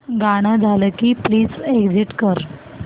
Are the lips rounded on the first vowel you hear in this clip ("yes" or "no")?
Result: no